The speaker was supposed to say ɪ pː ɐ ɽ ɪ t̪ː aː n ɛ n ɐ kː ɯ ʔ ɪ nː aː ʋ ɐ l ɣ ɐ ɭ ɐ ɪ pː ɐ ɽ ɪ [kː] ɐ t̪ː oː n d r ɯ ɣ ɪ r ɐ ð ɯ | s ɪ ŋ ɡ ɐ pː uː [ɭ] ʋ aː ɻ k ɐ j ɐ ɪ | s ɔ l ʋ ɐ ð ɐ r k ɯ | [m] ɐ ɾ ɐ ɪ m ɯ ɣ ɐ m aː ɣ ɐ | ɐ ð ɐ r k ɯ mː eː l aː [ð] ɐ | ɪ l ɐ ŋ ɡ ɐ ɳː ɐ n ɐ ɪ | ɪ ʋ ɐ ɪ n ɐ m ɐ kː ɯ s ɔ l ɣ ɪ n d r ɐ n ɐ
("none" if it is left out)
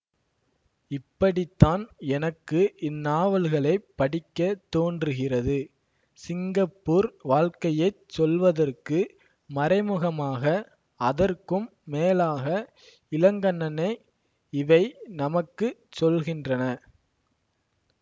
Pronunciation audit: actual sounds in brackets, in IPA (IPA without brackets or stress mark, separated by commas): kː, ɾ, m, ɣ